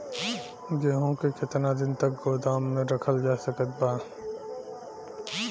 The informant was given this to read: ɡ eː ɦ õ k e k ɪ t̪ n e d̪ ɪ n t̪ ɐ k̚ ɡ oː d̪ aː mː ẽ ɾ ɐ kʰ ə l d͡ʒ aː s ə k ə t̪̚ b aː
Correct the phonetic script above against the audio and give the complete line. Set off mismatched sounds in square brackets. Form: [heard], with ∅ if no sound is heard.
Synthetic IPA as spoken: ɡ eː ɦ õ k e k ɪ t̪ n [a] d̪ ɪ n t̪ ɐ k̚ ɡ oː d̪ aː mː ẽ ɾ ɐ kʰ ə l d͡ʒ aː s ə k ə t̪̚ b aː